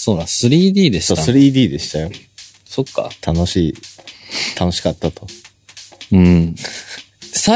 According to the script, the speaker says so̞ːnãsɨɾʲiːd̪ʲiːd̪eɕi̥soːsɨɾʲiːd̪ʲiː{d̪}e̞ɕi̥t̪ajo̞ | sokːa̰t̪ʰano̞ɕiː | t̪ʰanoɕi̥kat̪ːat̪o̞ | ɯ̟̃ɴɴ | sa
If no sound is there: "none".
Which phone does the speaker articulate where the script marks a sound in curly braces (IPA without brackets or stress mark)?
d̪